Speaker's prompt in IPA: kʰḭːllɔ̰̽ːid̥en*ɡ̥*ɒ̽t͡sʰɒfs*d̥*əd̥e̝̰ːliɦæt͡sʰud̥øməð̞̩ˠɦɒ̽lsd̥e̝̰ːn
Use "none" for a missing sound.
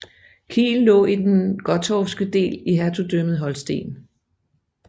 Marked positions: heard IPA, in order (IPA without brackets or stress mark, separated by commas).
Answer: ɡ̥, ɡ̥